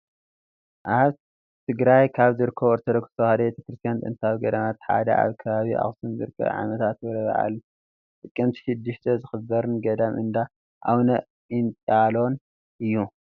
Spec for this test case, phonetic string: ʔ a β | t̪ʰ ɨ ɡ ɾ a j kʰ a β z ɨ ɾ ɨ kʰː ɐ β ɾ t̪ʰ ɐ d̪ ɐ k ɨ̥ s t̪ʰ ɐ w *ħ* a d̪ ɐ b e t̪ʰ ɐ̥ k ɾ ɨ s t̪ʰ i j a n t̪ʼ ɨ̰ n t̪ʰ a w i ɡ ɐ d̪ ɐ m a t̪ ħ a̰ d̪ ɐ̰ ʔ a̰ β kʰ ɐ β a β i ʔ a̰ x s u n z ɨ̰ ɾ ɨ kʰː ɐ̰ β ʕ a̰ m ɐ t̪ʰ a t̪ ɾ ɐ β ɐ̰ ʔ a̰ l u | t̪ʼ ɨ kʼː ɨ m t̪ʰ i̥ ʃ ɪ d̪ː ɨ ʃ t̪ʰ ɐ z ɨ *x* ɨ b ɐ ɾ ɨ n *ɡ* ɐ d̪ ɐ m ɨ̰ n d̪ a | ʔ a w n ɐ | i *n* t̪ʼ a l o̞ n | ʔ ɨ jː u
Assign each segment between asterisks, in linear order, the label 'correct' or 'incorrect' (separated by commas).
incorrect, correct, correct, correct